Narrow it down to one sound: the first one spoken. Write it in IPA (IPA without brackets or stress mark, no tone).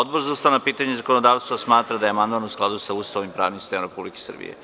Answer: o